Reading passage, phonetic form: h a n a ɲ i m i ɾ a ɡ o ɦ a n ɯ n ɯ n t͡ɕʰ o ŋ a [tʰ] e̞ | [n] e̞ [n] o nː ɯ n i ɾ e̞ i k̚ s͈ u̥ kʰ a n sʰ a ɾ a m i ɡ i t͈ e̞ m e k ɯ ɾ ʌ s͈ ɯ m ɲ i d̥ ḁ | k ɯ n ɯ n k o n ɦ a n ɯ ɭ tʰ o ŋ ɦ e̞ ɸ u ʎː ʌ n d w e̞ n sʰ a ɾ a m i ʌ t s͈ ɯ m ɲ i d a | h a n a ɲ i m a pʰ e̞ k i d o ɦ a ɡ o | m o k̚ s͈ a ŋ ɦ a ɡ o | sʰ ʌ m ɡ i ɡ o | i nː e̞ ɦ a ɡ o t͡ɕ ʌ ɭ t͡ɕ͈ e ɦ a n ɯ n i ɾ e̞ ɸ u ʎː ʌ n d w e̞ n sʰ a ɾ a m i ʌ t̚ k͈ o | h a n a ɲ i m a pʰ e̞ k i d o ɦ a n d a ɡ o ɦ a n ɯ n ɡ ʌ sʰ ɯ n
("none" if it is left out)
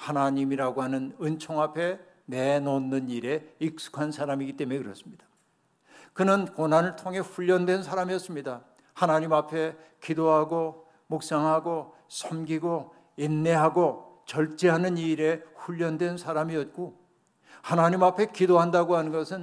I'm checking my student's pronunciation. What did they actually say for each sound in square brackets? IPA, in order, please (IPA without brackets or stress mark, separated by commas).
pʰ, n, n